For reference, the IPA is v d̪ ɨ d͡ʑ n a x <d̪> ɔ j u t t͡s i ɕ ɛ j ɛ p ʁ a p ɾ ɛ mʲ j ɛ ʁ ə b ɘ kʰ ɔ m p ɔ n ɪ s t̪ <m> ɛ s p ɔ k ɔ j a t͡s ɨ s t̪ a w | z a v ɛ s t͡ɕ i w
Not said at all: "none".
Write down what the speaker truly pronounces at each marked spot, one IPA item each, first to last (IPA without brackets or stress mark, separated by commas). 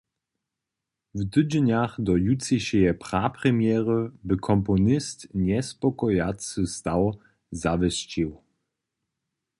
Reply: d̪, ɲ